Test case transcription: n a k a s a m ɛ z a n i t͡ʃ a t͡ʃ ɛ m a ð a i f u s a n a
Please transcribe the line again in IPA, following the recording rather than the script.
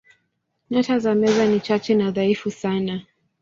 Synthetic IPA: n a t a z a m ɛ z a n i t͡ʃ a t͡ʃ ɛ n a ð a i f u s a n a